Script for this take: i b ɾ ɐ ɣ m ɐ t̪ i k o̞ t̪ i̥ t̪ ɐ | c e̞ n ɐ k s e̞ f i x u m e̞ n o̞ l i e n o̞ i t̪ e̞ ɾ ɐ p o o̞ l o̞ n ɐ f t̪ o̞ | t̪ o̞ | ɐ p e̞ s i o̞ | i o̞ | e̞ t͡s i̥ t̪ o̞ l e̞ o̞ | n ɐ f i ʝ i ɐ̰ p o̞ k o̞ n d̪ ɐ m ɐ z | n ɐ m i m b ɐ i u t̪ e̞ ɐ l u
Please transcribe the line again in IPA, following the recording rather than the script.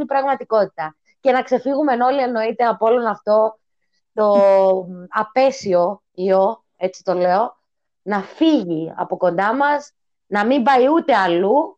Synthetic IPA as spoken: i b ɾ ɐ ɣ m ɐ t̪ i k o̞ t̪ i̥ t̪ ɐ | c e̞ n ɐ k s e̞ f i ɣ u m e̞ n o̞ l i e n o̞ i t̪ e̞ ɐ p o o̞ l o̞ n ɐ f t̪ o̞ | t̪ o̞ | ɐ p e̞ s i o̞ | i o̞ | e̞ t͡s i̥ t̪ o̞ l e̞ o̞ | n ɐ f i ʝ i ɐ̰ p o̞ k o̞ n d̪ ɐ m ɐ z | n ɐ m i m b ɐ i u t̪ e̞ ɐ l u